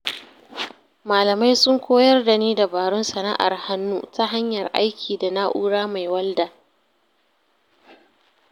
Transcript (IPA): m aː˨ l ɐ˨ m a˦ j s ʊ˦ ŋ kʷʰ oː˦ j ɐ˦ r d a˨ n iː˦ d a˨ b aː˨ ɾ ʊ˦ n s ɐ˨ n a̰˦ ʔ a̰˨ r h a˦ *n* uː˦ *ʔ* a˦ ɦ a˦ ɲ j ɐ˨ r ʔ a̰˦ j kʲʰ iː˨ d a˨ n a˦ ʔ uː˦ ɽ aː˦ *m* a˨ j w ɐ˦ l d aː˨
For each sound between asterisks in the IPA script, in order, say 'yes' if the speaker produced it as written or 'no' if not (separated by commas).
no, no, yes